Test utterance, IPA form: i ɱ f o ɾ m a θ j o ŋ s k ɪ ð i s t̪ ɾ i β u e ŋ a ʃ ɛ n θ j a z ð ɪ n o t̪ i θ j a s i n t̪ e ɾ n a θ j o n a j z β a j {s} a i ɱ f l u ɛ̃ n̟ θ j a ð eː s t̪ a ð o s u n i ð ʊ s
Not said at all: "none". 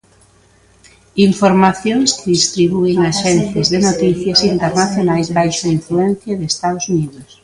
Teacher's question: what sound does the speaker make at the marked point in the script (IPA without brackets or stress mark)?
ʃ